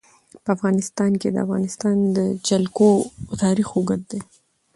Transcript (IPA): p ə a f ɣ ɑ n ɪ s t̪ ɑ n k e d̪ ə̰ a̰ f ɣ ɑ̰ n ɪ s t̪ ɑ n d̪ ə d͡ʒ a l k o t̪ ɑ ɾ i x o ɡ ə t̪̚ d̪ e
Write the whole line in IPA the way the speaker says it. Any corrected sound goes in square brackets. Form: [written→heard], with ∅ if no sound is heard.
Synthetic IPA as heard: p ə a f ɣ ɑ n ɪ s t̪ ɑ n k e d̪ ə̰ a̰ f ɣ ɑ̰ n ɪ s t̪ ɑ n d̪ ə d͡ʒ a l k o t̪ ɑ ɾ i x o ɡ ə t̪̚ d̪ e

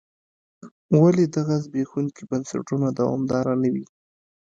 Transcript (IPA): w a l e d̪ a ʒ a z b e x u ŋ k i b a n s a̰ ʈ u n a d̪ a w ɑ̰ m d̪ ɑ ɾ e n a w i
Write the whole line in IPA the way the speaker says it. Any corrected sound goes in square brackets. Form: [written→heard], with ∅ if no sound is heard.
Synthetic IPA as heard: w a l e d̪ a [ʒ→ɣ] a z b e x u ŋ k i b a n s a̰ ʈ u n a d̪ a w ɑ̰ m d̪ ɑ ɾ [e→a] n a w i

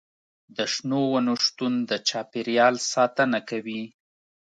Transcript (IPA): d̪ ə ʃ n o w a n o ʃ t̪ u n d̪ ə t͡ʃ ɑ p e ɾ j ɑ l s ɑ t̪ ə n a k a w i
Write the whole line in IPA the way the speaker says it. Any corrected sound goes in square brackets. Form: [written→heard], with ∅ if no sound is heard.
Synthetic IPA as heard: d̪ ə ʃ n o w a n o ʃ t̪ u n d̪ ə t͡ʃ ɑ p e ɾ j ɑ l s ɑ t̪ ə n a k a w i

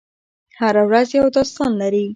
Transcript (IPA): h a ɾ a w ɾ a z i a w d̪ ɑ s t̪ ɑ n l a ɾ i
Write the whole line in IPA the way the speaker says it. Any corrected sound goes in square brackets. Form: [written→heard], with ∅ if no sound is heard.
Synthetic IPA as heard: h a ɾ a w ɾ a z [i→j] a w d̪ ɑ s t̪ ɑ n l a ɾ i

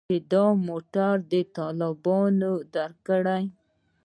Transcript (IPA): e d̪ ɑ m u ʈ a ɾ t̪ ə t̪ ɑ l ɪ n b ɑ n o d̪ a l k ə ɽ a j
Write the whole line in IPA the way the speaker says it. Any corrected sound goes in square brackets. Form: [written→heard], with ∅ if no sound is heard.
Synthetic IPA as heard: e d̪ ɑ m [u→o] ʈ a ɾ [t̪→d̪] ə t̪ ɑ l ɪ [n→∅] b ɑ n o d̪ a [l→ɾ] k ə ɽ a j

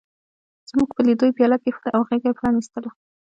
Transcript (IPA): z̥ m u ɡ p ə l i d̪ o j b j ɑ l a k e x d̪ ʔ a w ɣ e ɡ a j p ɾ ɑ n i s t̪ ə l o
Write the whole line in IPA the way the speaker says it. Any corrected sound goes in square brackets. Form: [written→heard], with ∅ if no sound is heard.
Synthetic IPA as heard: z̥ m u ɡ p ə l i d̪ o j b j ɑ l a k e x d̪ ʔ a w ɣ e ɡ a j p ɾ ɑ n i s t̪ ə l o

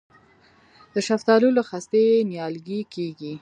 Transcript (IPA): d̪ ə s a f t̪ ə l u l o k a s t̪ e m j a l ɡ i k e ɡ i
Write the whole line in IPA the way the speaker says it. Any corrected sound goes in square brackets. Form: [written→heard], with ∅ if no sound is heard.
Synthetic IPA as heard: d̪ ə [s→ʃ] a f t̪ [ə→ɑ] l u l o [k→x] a s t̪ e [m→n] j [a→ɑ] l ɡ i k e ɡ i

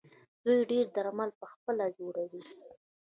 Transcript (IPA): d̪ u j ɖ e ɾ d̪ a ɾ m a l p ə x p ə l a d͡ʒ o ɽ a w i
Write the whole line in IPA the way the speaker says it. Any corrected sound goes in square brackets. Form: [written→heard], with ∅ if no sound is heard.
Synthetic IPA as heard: d̪ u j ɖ e ɾ d̪ a ɾ m a l p ə x p ə l a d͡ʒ o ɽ a w i

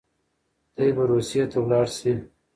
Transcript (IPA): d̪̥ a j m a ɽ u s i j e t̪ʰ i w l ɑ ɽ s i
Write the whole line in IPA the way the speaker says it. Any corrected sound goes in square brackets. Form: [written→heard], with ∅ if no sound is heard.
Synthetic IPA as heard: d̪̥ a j [m→b] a [ɽ→ɾ] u s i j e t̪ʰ [i→a] w l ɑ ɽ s i

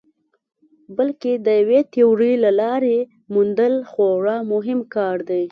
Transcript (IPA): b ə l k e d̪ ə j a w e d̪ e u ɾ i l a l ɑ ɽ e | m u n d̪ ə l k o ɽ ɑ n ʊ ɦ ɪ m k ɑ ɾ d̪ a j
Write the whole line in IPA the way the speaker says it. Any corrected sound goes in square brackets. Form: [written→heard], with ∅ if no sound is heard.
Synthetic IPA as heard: b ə l k e d̪ ə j a w e [d̪→t̪] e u ɾ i l a l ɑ [ɽ→ɾ] e | m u n d̪ ə l [k→x] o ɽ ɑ [n→m] ʊ ɦ ɪ m k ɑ ɾ d̪ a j

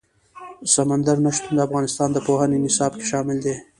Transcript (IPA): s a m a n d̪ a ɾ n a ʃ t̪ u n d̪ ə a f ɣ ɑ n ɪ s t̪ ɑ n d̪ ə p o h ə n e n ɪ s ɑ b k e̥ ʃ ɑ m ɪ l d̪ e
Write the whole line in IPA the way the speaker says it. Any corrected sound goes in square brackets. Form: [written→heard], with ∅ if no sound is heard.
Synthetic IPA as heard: s a m a n d̪ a ɾ n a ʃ t̪ u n d̪ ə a f ɣ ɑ n ɪ s t̪ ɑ n d̪ ə p o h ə n e n ɪ s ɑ b k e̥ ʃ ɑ m ɪ l d̪ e

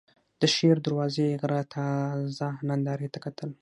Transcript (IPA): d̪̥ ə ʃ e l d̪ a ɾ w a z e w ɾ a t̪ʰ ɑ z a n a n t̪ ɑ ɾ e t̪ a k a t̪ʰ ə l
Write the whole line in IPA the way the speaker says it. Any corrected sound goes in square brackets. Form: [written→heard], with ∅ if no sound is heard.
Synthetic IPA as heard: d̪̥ ə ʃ e [l→ɾ] d̪ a ɾ w [a→ɑ] z e [w→ɣ] ɾ a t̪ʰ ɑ z a n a n [t̪→d̪] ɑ ɾ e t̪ a k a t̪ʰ ə l

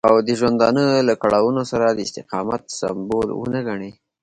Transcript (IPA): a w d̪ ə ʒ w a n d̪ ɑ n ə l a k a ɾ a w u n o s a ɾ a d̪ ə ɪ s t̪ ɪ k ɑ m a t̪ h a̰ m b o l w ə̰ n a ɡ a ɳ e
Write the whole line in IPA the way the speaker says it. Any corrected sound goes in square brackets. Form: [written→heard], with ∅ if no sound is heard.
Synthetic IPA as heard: a w d̪ ə ʒ w a n d̪ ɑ n ə l a k a [ɾ→ɽ] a w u n o s a ɾ a d̪ ə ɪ s t̪ ɪ [k→q] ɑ m a t̪ [h→s] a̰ m b o l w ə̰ n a ɡ a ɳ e

